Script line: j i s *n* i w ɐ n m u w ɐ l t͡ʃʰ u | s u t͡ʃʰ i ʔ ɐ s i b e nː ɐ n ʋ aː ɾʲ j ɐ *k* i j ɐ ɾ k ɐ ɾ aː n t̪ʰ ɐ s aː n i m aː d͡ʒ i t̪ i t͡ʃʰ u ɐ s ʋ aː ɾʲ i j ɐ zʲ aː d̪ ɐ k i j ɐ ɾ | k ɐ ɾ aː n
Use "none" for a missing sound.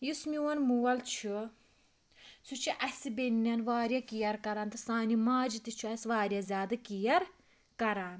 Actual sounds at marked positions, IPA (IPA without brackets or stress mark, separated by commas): m, k